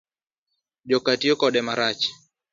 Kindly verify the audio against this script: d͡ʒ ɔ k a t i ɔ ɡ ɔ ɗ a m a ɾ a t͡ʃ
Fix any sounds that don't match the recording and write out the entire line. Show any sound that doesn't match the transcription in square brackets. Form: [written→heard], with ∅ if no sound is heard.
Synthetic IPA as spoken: d͡ʒ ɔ k a t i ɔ [ɡ→k] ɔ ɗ [a→ɛ] m a ɾ a t͡ʃ